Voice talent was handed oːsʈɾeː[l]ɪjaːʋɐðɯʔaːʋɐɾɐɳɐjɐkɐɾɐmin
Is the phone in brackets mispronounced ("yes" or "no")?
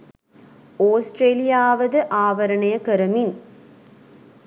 no